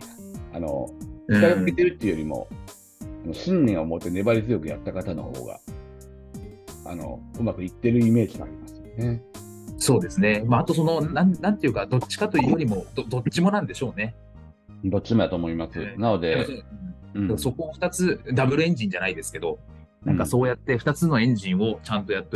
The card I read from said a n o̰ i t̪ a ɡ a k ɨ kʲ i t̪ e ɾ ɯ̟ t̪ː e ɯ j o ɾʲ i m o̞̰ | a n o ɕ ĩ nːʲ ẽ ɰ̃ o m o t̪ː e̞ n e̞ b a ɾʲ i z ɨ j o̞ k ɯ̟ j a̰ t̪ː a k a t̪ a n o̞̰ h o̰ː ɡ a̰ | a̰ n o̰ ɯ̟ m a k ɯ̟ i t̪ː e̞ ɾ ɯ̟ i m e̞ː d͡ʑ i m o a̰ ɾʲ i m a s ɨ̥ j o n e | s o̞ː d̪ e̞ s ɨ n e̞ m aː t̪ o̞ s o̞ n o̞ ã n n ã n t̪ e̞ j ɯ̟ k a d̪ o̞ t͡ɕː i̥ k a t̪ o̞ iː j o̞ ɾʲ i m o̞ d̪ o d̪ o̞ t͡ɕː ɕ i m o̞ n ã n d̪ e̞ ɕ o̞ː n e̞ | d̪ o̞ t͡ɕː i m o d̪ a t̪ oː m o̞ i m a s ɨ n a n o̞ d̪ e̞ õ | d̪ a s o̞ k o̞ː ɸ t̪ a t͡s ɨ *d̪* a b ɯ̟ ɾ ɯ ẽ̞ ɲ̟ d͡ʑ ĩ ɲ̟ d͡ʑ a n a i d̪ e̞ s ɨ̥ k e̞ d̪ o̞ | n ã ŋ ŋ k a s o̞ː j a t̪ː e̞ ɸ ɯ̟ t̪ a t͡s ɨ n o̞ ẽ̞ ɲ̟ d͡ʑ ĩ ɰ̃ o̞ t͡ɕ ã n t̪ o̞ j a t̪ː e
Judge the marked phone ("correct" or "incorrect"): correct